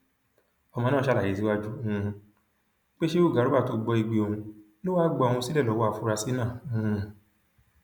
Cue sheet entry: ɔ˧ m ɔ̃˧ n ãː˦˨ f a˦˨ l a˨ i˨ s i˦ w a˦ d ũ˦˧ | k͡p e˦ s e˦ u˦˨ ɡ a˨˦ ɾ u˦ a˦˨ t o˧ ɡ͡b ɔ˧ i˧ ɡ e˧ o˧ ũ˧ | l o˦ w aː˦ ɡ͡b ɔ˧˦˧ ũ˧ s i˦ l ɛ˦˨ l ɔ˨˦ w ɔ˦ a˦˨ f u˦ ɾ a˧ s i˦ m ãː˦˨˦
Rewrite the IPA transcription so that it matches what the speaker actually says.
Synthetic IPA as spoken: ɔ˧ m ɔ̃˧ n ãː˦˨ ʃ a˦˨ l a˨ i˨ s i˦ w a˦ d͡ʒ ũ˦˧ | k͡p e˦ ʃ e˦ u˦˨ ɡ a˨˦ ɾ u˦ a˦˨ t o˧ ɡ͡b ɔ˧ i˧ ɡ͡b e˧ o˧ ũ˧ | l o˦ w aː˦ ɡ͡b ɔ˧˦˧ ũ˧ s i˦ l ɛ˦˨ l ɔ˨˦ w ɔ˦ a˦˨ f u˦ ɾ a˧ s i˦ n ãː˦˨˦